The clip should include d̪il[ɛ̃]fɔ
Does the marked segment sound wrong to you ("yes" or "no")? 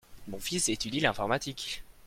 no